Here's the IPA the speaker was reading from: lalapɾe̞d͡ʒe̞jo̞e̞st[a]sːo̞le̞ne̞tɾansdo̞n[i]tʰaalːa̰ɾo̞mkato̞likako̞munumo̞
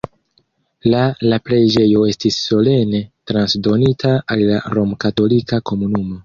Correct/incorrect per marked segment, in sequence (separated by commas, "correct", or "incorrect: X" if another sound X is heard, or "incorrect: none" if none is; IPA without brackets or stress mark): incorrect: i, correct